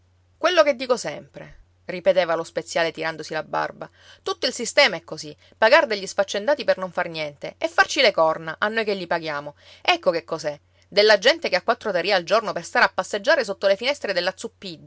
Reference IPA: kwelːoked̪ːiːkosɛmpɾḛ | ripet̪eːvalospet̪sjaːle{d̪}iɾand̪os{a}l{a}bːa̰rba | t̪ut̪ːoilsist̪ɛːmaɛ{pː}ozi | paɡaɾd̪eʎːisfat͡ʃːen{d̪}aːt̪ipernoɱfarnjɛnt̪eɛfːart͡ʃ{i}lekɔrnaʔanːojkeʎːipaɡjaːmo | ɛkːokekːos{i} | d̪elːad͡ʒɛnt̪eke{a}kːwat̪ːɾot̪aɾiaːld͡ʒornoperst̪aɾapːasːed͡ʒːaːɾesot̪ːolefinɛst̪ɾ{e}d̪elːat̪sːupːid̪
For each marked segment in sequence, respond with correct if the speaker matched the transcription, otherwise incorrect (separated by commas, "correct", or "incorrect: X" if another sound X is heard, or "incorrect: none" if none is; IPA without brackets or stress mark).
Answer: incorrect: t̪, incorrect: i, correct, incorrect: kː, correct, correct, incorrect: ɛ, correct, correct